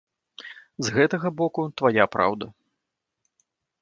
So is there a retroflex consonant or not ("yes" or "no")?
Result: no